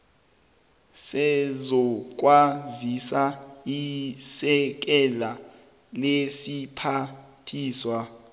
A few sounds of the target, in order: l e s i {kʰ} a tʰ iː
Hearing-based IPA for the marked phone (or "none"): pʰ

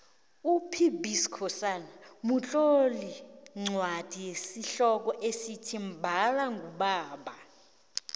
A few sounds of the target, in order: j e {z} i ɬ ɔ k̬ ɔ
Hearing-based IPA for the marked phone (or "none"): s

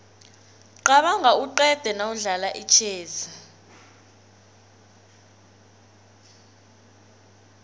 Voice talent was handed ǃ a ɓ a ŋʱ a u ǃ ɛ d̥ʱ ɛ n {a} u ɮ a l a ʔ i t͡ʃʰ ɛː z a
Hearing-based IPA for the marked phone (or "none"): a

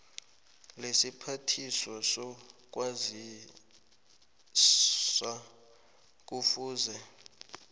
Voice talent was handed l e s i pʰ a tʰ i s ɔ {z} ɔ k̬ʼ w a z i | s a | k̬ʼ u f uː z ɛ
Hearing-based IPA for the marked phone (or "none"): s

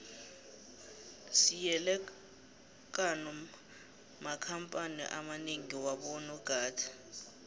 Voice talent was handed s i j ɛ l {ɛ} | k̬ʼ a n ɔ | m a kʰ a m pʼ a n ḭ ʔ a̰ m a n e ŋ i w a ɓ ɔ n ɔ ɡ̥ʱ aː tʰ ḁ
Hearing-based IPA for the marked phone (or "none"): ɛ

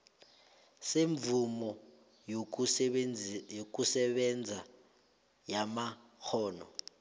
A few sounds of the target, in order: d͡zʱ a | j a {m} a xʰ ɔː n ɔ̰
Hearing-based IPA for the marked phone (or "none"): m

